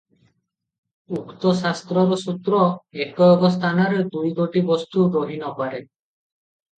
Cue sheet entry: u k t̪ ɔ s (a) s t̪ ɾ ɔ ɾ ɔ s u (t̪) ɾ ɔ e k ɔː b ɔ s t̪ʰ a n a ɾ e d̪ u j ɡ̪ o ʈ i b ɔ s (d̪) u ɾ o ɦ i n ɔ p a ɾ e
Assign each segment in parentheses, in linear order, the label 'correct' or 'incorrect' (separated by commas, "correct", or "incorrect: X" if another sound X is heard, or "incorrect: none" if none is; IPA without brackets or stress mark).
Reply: correct, correct, incorrect: t̪